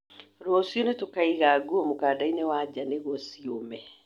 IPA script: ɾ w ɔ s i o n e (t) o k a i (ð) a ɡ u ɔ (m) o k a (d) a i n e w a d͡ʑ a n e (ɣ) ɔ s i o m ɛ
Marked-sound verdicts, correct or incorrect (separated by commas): correct, incorrect, correct, correct, correct